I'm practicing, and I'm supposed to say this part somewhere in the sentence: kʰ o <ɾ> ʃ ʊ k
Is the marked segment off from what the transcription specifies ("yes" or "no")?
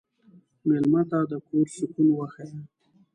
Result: no